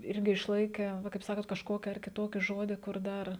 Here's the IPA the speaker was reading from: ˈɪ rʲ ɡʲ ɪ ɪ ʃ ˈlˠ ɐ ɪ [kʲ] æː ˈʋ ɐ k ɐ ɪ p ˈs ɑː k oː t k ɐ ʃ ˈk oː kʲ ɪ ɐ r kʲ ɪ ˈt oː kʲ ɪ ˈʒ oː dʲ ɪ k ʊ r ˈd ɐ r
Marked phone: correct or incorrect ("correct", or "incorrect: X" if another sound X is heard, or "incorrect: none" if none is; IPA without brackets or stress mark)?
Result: correct